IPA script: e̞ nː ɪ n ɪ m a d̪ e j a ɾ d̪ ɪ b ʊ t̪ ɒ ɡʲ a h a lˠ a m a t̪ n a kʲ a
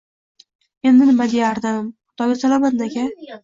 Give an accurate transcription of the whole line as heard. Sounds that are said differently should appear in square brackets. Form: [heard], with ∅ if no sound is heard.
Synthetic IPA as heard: e̞ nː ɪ n ɪ m a d̪ e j a ɾ d̪ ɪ [m] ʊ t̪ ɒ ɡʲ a [s] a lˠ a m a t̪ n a kʲ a

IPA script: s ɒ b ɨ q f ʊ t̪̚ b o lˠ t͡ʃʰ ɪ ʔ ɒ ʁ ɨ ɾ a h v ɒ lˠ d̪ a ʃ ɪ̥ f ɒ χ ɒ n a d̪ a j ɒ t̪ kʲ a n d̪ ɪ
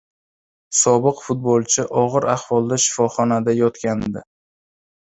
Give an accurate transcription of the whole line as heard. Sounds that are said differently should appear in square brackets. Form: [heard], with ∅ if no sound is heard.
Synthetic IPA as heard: s ɒ b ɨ q f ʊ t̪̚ b o lˠ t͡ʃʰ ɪ ʔ ɒ ʁ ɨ ɾ a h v ɒ lˠ d̪ a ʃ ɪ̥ f ɒ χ ɒ n a d̪ a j ɒ t̪ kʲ a n d̪ ɪ

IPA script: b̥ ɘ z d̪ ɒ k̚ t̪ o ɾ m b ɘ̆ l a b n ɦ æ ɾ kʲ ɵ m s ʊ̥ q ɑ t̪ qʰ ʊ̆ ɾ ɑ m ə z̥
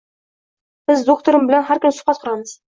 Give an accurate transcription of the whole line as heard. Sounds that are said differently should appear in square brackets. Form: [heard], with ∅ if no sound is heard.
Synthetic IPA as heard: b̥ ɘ z d̪ [o] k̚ t̪ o ɾ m b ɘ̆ l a [∅] n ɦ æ ɾ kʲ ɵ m s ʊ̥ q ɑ t̪ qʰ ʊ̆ ɾ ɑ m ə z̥

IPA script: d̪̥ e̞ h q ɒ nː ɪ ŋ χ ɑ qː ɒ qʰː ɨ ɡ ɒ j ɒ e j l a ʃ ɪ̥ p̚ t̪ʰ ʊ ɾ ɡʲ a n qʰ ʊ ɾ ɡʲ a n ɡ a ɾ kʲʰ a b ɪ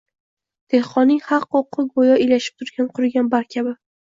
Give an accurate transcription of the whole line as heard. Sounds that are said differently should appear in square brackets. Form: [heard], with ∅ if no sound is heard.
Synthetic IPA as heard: d̪̥ e̞ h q ɒ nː ɪ ŋ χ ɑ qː [o] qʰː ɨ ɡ [o] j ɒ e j l a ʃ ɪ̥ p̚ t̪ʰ ʊ ɾ ɡʲ a n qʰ ʊ ɾ ɡʲ a n [b] a ɾ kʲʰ a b ɪ

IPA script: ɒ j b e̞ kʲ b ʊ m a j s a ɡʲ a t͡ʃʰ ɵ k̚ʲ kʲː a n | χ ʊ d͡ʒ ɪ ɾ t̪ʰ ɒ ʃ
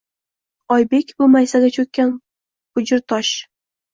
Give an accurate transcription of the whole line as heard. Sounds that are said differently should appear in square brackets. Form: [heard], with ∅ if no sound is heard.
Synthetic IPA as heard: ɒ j b e̞ kʲ b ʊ m a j s a ɡʲ a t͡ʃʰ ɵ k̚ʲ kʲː a n | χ ʊ d͡ʒ ɪ ɾ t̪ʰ ɒ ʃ

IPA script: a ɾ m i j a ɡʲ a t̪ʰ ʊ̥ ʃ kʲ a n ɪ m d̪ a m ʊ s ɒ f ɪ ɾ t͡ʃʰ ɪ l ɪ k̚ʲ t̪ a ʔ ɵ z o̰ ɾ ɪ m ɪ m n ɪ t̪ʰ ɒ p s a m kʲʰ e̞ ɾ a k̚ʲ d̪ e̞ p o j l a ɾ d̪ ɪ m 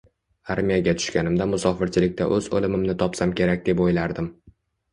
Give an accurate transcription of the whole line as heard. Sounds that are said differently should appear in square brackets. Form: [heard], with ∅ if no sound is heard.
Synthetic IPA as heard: a ɾ m i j a ɡʲ a t̪ʰ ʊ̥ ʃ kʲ a n ɪ m d̪ a m ʊ s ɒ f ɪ ɾ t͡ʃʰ ɪ l ɪ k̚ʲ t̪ a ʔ ɵ z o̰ [l] ɪ m ɪ m n ɪ t̪ʰ ɒ p s a m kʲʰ e̞ ɾ a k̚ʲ d̪ e̞ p o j l a ɾ d̪ ɪ m

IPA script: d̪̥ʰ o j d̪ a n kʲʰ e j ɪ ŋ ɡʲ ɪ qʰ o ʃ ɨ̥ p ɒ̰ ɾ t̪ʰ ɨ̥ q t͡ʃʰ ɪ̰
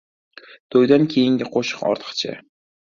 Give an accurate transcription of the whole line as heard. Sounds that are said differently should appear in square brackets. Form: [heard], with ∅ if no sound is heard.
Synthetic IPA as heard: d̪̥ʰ o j d̪ a n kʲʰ e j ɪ ŋ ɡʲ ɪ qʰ o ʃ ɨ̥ [q] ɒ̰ ɾ t̪ʰ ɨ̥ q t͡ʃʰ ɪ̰

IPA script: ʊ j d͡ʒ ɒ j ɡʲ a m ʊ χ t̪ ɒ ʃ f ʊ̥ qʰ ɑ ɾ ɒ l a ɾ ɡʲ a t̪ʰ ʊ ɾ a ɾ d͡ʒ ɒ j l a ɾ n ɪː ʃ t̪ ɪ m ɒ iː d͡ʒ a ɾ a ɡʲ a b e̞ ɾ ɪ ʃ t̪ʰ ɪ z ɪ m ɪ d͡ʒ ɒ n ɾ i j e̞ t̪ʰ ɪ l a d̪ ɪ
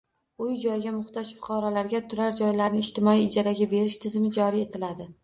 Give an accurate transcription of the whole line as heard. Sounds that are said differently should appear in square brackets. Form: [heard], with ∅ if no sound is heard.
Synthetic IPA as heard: ʊ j d͡ʒ ɒ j ɡʲ a m ʊ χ t̪ ɒ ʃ f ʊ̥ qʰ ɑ ɾ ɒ l a ɾ ɡʲ a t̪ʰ ʊ ɾ a ɾ d͡ʒ ɒ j l a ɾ n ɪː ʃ t̪ ɪ m ɒ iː d͡ʒ a ɾ a ɡʲ a b e̞ ɾ ɪ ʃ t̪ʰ ɪ z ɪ m ɪ d͡ʒ ɒ [∅] ɾ i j e̞ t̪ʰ ɪ l a d̪ ɪ

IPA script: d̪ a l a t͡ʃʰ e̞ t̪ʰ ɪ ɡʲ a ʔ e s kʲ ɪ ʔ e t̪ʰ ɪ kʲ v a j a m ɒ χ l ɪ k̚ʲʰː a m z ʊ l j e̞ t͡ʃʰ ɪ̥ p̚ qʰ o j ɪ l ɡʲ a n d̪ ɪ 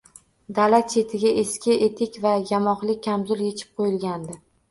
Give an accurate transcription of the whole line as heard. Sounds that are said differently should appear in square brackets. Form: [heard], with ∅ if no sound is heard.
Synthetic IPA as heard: d̪ a l a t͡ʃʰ e̞ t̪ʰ ɪ ɡʲ a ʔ e s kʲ ɪ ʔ e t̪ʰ ɪ kʲ v a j a m ɒ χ l ɪ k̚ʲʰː a m z ʊ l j e̞ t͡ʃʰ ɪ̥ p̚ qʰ o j ɪ l ɡʲ a n d̪ ɪ

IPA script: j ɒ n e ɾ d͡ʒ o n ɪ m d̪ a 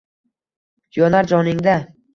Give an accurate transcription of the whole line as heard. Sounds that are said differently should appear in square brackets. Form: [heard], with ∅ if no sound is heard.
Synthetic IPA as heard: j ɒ n [a] ɾ d͡ʒ [ɒ] n ɪ [ŋ] d̪ a

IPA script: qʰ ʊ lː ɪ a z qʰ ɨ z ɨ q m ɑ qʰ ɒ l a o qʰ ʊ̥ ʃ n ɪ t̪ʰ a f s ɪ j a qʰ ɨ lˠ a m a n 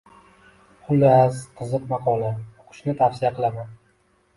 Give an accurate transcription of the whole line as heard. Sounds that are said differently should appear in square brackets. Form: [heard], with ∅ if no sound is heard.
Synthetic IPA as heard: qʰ ʊ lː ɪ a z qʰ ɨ z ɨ q m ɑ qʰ ɒ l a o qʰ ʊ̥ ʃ n ɪ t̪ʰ a f s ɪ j a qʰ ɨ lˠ a m a n

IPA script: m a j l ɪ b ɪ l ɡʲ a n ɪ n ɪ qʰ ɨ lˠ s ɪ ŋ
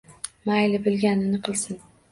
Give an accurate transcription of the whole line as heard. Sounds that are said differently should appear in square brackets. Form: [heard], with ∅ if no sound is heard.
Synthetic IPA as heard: m a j l ɪ b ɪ l ɡʲ a n ɪ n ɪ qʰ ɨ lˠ s ɪ [n]

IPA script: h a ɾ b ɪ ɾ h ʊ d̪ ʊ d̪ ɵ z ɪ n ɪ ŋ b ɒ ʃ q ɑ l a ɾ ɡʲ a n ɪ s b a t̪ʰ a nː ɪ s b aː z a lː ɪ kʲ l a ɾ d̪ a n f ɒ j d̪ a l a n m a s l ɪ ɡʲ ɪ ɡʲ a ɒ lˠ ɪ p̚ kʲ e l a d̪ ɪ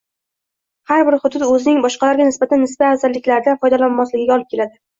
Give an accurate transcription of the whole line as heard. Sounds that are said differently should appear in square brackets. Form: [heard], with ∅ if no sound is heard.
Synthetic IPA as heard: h a ɾ b ɪ ɾ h ʊ d̪ ʊ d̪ ɵ z ɪ n ɪ ŋ b ɒ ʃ q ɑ l a ɾ ɡʲ a n ɪ s b a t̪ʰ a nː ɪ s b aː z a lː ɪ kʲ l a ɾ d̪ a n f ɒ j d̪ a l a n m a s l ɪ ɡʲ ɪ ɡʲ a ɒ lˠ ɪ p̚ kʲ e l a d̪ ɪ

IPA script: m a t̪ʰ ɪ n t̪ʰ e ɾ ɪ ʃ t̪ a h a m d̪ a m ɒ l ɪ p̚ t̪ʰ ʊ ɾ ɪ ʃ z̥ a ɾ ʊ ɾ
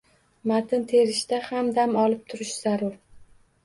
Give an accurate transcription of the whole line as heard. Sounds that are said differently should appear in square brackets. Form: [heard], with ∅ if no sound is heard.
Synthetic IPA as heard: m a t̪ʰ ɪ n t̪ʰ e ɾ ɪ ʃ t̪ a h a m d̪ a m ɒ l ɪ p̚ t̪ʰ ʊ ɾ ɪ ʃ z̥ a ɾ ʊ ɾ

